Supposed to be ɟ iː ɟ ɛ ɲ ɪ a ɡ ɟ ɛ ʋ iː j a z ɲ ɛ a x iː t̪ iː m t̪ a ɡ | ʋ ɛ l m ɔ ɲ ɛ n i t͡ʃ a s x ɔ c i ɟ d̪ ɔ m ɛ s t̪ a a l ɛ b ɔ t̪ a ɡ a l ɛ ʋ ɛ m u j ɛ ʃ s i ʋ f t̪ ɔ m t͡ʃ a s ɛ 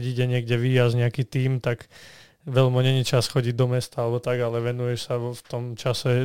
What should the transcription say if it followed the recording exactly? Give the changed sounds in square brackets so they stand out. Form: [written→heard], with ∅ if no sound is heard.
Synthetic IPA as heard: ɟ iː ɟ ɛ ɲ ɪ [a→ɛ] ɡ ɟ ɛ ʋ iː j a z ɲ ɛ a [x→k] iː t̪ iː m t̪ a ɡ | ʋ ɛ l m ɔ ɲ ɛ [n→ɲ] i t͡ʃ a s x ɔ [c→ɟ] i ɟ d̪ ɔ m ɛ s t̪ a a l ɛ b ɔ t̪ a ɡ a l ɛ ʋ ɛ [m→n] u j ɛ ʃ s [i→a] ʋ f t̪ ɔ m t͡ʃ a s ɛ